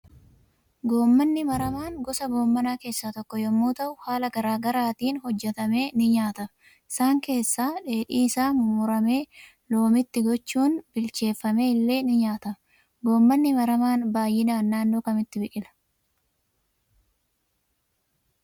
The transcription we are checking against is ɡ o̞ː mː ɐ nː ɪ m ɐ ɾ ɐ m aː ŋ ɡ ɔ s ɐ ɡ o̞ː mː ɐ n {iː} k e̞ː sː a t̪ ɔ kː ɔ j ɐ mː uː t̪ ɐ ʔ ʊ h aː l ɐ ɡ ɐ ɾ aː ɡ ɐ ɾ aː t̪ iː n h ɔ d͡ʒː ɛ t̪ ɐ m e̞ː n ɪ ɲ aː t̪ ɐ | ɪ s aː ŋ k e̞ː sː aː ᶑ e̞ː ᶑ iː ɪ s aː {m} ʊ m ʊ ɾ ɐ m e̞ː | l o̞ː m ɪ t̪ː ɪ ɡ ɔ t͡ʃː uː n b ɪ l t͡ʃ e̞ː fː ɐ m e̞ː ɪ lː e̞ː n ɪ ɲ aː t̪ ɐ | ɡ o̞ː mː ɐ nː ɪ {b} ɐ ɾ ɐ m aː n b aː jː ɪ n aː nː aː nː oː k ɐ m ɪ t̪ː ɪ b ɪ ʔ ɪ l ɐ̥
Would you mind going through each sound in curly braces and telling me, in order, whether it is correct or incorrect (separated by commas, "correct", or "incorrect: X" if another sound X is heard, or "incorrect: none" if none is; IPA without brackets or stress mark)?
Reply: incorrect: aː, correct, incorrect: m